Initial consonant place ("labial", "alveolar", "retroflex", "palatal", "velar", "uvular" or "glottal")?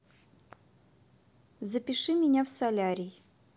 alveolar